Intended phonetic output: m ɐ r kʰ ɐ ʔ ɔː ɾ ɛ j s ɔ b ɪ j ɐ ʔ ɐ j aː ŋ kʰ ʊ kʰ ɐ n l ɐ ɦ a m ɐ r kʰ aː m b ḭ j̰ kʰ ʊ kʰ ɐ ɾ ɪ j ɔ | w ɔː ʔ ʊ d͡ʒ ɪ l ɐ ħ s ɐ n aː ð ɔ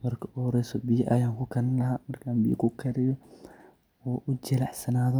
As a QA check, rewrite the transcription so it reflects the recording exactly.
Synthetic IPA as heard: m ɐ r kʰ ɐ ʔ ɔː ɾ ɛ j s ɔ b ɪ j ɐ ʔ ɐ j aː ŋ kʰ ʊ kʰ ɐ n l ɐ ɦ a m ɐ r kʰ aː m b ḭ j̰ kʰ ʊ kʰ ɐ ɾ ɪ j ɔ | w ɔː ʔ ʊ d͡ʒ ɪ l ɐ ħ s ɐ n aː ð ɔ